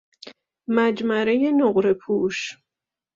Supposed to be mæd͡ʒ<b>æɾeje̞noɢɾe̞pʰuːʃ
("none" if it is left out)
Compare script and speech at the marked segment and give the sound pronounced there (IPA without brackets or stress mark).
m